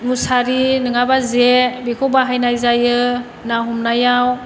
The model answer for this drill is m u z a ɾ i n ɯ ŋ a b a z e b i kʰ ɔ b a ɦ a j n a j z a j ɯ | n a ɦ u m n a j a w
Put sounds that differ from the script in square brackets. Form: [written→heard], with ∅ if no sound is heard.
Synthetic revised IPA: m u [z→s] a ɾ i n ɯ ŋ a b a z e b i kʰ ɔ b a ɦ a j n a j z a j ɯ | n a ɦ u m n a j a w